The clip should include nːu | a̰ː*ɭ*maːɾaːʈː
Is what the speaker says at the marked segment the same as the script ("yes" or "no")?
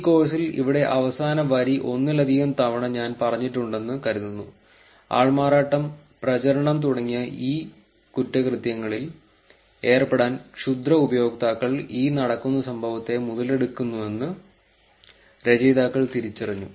yes